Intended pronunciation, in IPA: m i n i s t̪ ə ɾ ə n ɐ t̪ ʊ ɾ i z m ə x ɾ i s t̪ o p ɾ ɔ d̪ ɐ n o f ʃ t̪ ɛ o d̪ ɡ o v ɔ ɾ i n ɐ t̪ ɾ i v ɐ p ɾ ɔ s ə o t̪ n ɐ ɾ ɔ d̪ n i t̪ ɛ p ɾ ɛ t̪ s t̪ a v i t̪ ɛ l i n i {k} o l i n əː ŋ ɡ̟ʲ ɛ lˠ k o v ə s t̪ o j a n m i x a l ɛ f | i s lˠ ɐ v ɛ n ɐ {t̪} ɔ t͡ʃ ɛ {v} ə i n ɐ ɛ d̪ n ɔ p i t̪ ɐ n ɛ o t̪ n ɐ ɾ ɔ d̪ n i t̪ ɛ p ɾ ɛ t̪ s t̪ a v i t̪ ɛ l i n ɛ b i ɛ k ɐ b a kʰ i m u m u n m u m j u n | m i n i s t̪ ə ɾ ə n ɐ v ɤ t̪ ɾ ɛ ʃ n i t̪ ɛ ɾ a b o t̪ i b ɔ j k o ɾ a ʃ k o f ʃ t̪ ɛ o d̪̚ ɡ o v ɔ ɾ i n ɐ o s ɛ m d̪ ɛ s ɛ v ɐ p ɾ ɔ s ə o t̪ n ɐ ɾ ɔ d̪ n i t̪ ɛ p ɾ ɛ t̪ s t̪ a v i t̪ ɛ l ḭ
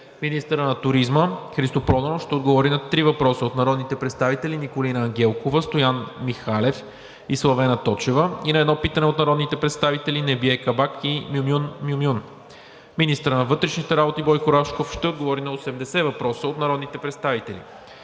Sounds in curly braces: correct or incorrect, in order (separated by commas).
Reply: correct, correct, correct